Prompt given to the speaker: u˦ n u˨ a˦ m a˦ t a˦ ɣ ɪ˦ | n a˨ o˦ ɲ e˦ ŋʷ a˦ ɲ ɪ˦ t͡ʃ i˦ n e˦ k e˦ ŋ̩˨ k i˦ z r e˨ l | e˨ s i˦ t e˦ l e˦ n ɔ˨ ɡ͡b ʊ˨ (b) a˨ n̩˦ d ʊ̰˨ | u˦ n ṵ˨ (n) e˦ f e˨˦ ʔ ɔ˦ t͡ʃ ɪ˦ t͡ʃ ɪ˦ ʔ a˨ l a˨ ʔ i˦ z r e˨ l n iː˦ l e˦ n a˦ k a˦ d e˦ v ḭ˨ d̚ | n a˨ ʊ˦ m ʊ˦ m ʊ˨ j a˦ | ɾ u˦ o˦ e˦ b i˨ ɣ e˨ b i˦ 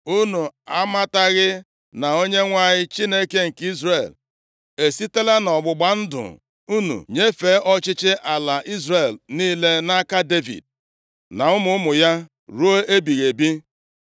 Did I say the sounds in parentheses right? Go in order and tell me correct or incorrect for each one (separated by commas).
incorrect, incorrect